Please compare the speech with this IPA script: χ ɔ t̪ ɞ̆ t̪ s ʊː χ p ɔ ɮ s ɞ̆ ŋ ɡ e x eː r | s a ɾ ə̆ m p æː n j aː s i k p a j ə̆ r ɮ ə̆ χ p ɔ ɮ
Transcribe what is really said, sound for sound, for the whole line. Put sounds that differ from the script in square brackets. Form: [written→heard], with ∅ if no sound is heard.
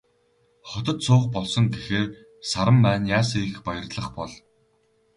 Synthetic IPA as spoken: χ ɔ t̪ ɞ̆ t̪ s ʊː χ p ɔ ɮ s ɞ̆ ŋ ɡ e x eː r | s a ɾ ə̆ m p æː n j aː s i [k→x] p a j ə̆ r ɮ ə̆ χ p ɔ ɮ